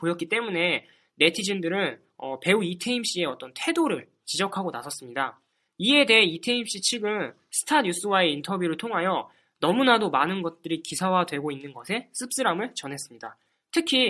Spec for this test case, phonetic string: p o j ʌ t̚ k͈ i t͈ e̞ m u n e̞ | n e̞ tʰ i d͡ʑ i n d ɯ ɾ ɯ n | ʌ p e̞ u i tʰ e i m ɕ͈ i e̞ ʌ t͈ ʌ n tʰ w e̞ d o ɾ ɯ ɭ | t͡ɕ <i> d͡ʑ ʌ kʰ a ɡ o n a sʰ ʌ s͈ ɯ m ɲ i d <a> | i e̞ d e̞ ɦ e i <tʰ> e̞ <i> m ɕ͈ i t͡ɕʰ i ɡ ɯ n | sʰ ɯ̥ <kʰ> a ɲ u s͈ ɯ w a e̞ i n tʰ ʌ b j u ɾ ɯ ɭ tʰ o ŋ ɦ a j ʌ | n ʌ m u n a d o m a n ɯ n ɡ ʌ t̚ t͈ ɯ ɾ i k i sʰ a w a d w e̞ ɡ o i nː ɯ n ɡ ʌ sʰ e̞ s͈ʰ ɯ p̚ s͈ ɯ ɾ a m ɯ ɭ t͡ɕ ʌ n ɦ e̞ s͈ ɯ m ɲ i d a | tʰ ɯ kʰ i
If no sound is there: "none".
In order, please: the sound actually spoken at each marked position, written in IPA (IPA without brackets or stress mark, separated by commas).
i, a, tʰ, i, tʰ